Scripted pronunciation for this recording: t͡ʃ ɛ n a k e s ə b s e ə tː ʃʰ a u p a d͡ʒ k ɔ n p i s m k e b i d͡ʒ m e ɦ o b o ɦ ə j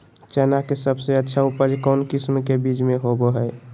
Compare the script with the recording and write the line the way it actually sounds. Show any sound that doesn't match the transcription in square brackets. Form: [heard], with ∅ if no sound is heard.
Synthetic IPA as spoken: t͡ʃ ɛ n a k e s ə b s e ə tː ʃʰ a u p [ə] d͡ʒ k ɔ n [k] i s m k e b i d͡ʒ m e ɦ o b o ɦ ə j

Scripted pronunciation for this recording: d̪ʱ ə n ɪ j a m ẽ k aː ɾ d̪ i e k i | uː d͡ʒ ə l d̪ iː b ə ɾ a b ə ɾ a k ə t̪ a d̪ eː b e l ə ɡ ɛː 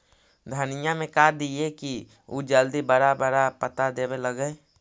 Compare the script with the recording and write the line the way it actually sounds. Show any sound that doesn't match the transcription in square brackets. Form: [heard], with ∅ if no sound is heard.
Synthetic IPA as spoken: d̪ʱ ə n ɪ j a m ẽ k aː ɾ d̪ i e k i | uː d͡ʒ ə l d̪ [i] b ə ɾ a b ə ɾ a [p] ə t̪ a d̪ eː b e l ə ɡ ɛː

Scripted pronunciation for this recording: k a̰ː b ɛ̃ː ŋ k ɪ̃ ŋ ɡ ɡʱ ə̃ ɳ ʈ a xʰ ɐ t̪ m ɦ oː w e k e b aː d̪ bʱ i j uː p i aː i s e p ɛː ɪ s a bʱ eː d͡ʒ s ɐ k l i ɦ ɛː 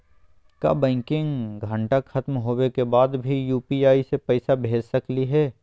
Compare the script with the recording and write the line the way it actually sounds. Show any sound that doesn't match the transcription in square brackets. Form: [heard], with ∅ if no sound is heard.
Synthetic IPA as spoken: k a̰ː b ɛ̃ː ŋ k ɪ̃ ŋ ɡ ɡʱ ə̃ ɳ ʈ a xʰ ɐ t̪ m ɦ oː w e k e b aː d̪ bʱ i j uː p i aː i s e p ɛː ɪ s a bʱ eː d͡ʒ s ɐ k l i ɦ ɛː

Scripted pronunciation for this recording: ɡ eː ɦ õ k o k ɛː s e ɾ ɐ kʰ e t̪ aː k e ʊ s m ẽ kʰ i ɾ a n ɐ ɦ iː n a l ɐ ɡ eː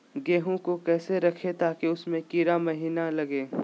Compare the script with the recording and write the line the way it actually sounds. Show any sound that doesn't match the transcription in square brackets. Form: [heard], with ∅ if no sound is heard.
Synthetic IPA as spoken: ɡ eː ɦ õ k o k ɛː s e ɾ ɐ kʰ e t̪ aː k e ʊ s m ẽ [k] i ɾ a [m] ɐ ɦ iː n a l ɐ ɡ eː

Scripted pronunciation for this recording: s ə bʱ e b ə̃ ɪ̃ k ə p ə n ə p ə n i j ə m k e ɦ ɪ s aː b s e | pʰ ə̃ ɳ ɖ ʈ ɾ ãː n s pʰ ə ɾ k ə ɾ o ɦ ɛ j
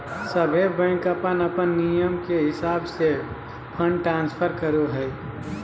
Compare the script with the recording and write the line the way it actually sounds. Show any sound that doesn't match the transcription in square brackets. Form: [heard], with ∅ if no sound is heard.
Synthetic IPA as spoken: s ə bʱ e b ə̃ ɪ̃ k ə p ə n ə p ə [nː] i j ə m k e ɦ ɪ s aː b s e | pʰ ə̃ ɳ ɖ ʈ ɾ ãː n s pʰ ə ɾ k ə ɾ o ɦ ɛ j

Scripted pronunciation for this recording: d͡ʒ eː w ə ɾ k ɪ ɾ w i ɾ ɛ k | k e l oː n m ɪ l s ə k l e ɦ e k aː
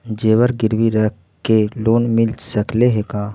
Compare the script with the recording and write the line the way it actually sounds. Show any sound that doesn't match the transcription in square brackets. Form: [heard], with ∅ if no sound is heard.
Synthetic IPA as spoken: d͡ʒ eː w ə ɾ [ɡ] ɪ ɾ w i ɾ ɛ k | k e l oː n m ɪ l s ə k l e ɦ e k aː

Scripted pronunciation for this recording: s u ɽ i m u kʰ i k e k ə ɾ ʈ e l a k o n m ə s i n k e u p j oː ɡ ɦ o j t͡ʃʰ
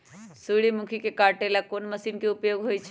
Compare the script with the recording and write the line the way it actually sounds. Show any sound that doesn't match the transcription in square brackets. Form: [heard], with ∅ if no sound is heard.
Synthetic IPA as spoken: s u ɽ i m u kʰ i k e k [a] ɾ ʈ e l a k o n m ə s i n k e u p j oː ɡ ɦ o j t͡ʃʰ

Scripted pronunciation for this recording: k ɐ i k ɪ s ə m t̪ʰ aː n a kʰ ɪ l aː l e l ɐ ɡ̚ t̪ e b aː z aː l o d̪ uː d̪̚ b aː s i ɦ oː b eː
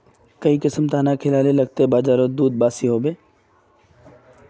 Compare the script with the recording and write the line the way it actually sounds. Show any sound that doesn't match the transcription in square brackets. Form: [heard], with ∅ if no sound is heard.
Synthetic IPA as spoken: k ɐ i k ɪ s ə m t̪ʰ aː n a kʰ ɪ l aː l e l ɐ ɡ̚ t̪ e b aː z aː [ɾ] o d̪ uː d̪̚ b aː s i ɦ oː b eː

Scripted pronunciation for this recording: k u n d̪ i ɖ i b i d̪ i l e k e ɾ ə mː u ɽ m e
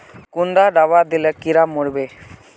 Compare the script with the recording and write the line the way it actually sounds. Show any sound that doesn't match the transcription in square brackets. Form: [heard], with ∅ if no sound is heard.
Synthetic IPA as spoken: k u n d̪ [a] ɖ [a] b [a] d̪ i l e k [i] ɾ [a] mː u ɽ [b] e

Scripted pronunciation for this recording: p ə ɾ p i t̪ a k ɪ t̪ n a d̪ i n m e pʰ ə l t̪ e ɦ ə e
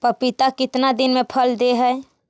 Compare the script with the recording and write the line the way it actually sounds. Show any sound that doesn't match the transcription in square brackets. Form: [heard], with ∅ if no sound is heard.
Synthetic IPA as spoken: p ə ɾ p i t̪ a k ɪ t̪ n a d̪ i n m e pʰ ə l [d̪] e ɦ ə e

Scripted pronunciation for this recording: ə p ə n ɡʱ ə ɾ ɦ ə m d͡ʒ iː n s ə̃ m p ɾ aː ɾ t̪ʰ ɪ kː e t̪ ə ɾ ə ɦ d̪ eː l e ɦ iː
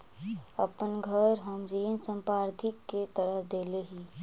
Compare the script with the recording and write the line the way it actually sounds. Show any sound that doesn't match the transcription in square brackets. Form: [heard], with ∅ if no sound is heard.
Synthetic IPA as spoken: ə p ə n ɡʱ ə ɾ ɦ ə m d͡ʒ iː n s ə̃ m p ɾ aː ɾ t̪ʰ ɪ kː e t̪ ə ɾ ə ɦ d̪ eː l e ɦ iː

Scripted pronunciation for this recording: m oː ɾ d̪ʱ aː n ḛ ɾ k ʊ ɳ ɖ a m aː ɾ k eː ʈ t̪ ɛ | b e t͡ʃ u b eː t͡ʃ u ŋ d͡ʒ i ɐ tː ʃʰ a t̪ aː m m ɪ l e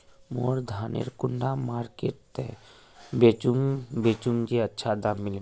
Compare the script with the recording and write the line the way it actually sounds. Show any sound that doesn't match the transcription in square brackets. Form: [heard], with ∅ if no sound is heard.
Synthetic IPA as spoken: m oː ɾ d̪ʱ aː n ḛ ɾ k ʊ ɳ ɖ a m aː ɾ k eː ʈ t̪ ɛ | b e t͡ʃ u b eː t͡ʃ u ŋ d͡ʒ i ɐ tː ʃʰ a [d̪] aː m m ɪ l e

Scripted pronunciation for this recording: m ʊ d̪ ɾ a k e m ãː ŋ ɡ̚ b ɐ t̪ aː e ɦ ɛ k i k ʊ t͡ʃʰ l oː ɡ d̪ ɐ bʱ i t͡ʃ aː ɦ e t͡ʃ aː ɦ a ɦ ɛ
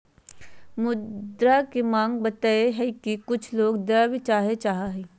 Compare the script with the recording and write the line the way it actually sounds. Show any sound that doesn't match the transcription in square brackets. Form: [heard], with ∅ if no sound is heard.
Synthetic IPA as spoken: m ʊ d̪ ɾ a k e m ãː ŋ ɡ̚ b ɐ t̪ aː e ɦ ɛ k i k ʊ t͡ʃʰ l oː ɡ d̪ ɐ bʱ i t͡ʃ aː ɦ e t͡ʃ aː ɦ a ɦ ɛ

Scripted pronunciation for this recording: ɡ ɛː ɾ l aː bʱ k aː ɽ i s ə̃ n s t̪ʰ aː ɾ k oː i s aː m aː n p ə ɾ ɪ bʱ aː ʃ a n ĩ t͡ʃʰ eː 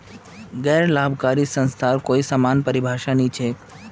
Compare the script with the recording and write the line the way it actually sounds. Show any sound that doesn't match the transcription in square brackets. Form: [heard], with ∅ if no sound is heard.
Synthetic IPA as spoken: ɡ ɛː ɾ l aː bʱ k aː [ɾ] i s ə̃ n s t̪ʰ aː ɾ k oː i s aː m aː n p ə ɾ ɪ bʱ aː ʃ a n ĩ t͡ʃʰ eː

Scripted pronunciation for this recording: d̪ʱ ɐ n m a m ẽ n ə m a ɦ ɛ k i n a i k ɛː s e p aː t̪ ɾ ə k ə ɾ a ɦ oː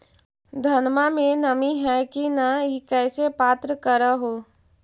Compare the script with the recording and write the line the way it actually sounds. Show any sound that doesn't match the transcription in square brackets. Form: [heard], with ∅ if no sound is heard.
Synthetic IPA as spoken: d̪ʱ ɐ n m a m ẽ n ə m [i] ɦ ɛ k i n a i k ɛː s e p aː t̪ ɾ ə k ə ɾ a ɦ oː

